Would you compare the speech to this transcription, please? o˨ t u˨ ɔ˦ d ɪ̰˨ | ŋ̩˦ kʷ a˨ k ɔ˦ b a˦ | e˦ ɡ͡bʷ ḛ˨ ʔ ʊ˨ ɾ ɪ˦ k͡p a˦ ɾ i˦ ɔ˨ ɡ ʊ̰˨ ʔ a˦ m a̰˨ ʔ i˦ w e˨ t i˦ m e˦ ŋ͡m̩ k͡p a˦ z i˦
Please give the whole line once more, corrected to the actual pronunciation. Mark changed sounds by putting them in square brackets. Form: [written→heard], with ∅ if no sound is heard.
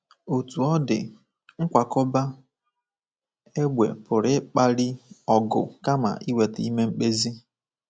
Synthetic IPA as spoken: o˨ t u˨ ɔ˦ d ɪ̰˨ | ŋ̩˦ kʷ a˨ k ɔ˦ b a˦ | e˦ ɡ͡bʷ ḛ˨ [ʔ→p] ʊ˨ ɾ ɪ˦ k͡p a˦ ɾ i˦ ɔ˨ ɡ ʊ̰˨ [ʔ→k] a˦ m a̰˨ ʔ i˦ w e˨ t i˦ m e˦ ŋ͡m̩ k͡p [a˦→e˦] z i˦